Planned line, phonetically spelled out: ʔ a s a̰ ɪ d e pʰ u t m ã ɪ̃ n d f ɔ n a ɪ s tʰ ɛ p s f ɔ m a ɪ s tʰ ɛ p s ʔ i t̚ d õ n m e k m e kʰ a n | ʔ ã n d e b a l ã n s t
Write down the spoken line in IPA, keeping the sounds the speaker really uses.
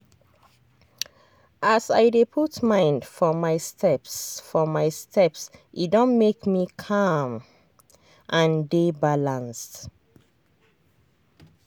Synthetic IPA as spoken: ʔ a s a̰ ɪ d e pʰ u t m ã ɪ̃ n d f ɔ m a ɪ s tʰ ɛ p s f ɔ m a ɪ s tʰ ɛ p s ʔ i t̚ d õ n m e k m i kʰ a m | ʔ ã n d e b a l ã n s t